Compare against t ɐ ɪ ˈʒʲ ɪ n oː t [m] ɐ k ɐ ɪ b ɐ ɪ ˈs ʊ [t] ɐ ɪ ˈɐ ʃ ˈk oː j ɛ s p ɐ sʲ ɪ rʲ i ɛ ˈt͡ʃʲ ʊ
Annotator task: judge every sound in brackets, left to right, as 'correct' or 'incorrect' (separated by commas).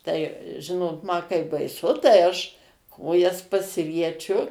correct, correct